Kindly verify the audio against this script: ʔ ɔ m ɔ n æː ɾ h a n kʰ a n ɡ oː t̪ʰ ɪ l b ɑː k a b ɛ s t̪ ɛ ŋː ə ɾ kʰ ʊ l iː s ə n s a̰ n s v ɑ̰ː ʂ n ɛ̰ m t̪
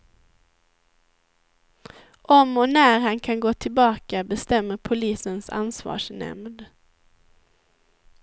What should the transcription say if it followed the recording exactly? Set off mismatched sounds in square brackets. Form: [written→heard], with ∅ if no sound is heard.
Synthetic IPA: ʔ ɔ m ɔ n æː ɾ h a n kʰ a n ɡ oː t̪ʰ ɪ l b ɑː k a b ɛ s t̪ ɛ [ŋː→mː] ə ɾ [kʰ→pʰ] ʊ l iː s ə n s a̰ n s v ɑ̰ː ʂ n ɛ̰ m [t̪→d̪]